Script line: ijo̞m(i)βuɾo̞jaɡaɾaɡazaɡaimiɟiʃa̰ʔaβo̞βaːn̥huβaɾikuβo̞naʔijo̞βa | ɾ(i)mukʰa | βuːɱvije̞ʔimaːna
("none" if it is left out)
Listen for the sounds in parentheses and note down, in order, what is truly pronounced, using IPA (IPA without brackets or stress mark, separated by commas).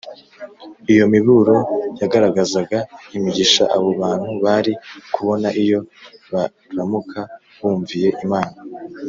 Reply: i, a